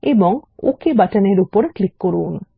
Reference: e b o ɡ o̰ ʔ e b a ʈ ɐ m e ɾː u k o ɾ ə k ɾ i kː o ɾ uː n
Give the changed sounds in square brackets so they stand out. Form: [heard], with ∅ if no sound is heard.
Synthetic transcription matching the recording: e b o [ŋ] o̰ [k] e b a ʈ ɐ [n] e [ɾ] u [p] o ɾ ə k [l] i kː o ɾ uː n